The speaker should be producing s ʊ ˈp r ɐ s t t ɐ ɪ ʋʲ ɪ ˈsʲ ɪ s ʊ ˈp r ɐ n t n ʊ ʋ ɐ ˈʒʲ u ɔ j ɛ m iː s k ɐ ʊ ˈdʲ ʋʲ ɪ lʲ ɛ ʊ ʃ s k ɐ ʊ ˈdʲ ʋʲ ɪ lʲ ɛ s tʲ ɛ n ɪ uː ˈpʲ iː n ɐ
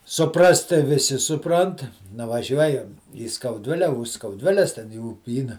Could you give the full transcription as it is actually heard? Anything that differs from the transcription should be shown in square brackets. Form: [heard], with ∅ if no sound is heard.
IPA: s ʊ ˈp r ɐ s t t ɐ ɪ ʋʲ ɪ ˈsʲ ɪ s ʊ ˈp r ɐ n t n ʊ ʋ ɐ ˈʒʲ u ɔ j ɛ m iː s k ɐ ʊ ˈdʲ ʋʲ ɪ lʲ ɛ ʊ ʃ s k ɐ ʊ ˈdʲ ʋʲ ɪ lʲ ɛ s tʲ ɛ n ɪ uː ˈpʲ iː n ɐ